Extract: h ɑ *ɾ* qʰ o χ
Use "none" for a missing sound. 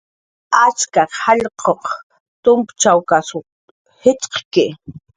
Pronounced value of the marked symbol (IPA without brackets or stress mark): ʎ